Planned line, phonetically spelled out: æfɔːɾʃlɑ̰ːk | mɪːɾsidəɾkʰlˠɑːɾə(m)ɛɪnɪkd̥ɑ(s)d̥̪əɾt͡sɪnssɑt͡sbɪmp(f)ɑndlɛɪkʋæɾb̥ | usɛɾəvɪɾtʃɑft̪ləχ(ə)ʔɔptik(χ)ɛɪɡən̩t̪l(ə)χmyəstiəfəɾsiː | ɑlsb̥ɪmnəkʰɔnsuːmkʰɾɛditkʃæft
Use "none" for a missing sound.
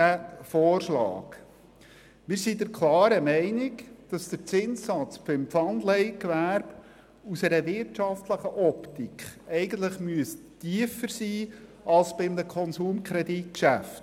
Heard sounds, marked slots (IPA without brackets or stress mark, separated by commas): m, s, f, ə, χ, ə